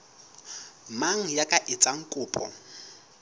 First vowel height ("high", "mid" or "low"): low